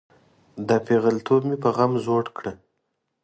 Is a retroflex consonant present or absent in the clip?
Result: present